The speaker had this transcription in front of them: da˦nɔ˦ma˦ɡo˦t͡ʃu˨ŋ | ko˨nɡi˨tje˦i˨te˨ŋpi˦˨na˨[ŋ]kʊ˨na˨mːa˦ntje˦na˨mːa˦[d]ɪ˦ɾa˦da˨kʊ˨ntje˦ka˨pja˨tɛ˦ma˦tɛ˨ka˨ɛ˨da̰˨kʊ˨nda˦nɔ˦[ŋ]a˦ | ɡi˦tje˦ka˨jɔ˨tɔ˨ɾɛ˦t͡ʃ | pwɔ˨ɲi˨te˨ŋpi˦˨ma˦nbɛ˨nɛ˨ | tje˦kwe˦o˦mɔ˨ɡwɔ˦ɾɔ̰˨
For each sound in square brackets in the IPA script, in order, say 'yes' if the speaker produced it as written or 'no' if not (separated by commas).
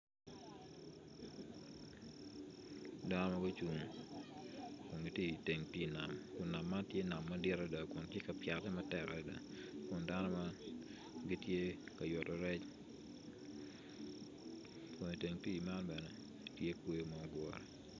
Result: no, yes, no